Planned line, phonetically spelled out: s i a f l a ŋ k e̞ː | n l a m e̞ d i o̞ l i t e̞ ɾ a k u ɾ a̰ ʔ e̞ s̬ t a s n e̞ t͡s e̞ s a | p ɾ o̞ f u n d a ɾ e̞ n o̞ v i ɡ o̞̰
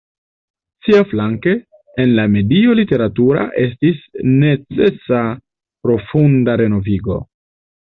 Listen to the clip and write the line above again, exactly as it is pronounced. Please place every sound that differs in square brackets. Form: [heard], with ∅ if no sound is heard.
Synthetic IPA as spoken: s i a f l a ŋ k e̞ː | n l a m e̞ d i o̞ l i t e̞ ɾ a [t] u ɾ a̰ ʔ e̞ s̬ t [i] s n e̞ t͡s e̞ s a | p ɾ o̞ f u n d a ɾ e̞ n o̞ v i ɡ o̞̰